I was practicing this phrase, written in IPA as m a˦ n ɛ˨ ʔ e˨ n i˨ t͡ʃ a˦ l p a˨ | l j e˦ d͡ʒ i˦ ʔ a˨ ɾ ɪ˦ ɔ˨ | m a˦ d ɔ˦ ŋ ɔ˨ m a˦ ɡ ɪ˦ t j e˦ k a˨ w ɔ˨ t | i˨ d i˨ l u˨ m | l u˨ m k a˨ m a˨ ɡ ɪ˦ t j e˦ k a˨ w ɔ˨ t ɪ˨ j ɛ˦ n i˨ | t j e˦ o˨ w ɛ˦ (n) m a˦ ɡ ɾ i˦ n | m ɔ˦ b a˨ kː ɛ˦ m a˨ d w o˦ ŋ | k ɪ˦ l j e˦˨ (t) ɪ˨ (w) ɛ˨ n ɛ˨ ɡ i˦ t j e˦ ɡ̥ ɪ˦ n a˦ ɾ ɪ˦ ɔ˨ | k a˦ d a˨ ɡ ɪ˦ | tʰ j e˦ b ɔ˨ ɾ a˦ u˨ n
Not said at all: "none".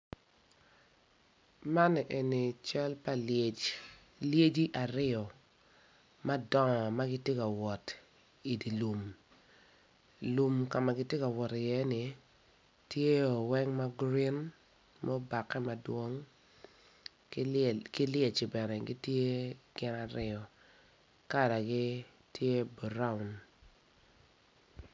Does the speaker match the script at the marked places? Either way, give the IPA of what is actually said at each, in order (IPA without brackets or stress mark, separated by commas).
ŋ, t͡ʃ, b